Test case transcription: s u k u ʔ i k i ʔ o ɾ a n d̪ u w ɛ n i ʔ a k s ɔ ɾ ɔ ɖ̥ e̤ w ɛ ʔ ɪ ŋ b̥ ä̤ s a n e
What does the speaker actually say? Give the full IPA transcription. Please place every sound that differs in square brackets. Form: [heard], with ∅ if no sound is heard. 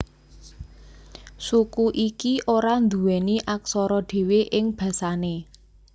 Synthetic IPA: s u k u ʔ i k i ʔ o ɾ a n d̪ u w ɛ n i ʔ a k s ɔ ɾ ɔ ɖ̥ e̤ w [e] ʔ ɪ ŋ b̥ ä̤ s a n e